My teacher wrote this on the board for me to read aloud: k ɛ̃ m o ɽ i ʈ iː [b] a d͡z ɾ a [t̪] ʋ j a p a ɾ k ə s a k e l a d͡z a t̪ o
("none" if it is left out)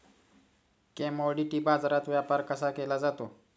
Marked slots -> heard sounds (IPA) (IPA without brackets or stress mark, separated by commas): b, t̪